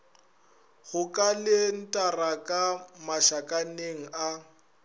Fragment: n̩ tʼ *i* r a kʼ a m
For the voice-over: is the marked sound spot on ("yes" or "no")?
no